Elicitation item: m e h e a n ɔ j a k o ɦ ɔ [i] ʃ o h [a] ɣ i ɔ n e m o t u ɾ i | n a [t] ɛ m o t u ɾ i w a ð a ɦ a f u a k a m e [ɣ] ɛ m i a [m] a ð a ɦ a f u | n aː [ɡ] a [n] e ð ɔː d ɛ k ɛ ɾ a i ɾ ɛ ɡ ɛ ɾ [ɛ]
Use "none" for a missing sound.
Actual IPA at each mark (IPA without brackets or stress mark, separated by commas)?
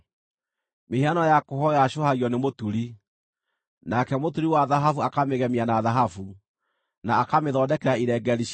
a, a, k, ɣ, n, k, m, i